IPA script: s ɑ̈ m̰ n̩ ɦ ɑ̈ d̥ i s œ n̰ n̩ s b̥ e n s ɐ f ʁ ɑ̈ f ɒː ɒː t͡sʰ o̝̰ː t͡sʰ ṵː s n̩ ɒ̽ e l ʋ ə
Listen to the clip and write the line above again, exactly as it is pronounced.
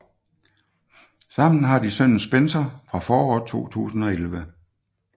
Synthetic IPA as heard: s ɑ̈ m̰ n̩ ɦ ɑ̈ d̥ i s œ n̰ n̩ s b̥ e n s ɐ f ʁ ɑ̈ f ɒː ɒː t͡sʰ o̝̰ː t͡sʰ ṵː s n̩ ɒ̽ e l ʋ ə